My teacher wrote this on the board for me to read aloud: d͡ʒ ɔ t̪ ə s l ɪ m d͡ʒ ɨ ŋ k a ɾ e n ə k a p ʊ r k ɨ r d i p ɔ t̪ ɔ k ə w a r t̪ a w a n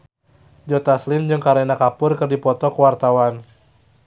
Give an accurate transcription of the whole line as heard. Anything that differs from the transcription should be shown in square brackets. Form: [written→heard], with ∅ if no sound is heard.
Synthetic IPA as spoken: d͡ʒ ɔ t̪ [ə→a] s l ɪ m d͡ʒ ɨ ŋ k a ɾ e n [ə→a] k a p ʊ r k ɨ r d i p ɔ t̪ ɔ k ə w a r t̪ a w a n